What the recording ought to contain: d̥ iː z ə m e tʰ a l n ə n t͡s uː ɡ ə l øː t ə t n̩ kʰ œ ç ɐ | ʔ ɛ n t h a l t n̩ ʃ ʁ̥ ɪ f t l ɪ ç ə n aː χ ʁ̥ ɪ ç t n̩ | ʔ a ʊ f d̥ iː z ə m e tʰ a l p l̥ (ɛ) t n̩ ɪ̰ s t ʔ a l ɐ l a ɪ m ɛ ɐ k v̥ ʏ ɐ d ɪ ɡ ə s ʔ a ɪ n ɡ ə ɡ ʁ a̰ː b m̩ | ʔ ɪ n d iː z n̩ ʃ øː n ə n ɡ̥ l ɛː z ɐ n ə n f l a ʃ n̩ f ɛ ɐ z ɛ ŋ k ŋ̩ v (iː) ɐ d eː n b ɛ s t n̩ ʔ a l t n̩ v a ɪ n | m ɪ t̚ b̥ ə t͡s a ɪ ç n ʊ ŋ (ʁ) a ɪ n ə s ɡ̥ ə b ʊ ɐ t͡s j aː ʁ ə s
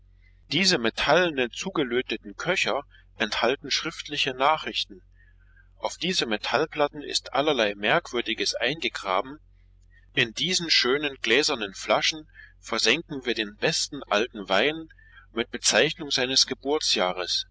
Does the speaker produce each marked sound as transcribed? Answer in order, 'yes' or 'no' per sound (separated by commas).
no, yes, no